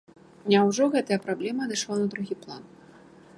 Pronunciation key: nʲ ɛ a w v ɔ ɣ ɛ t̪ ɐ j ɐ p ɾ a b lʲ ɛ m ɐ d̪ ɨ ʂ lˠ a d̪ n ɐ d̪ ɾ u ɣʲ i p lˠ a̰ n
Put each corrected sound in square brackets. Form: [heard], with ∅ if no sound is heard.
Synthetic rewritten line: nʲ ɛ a w [ʐ] ɔ ɣ ɛ t̪ ɐ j ɐ p ɾ a b lʲ ɛ m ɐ d̪ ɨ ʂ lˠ a [∅] n ɐ d̪ ɾ u ɣʲ i p lˠ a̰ n